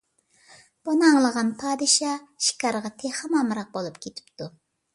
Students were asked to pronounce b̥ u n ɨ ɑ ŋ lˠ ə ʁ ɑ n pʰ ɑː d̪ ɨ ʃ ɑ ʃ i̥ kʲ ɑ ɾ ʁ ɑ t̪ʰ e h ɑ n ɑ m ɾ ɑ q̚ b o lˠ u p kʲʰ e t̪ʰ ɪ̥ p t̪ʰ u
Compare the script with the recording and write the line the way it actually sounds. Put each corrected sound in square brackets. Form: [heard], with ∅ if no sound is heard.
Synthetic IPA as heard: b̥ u n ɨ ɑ ŋ lˠ ə ʁ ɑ n pʰ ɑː d̪ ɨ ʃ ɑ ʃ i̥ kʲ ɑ ɾ ʁ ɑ t̪ʰ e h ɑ [m] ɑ m ɾ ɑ q̚ b o lˠ u p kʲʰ e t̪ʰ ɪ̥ p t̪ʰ u